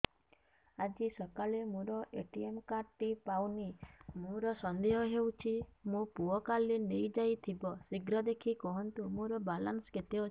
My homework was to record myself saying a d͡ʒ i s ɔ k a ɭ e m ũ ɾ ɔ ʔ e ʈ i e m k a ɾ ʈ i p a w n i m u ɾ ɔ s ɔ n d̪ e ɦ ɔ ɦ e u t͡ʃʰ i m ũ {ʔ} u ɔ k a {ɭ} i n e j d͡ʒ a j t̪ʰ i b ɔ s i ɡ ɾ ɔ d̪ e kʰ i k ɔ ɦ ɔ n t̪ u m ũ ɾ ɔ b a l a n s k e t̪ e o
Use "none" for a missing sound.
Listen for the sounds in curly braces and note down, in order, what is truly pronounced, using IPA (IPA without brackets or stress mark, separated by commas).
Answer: p, l